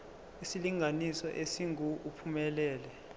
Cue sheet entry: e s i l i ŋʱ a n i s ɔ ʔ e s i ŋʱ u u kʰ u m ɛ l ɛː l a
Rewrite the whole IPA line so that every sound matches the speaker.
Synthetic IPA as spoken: i s i l i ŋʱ a n i s ɔ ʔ e s i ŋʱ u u pʰ u m ɛ l ɛː l ɛ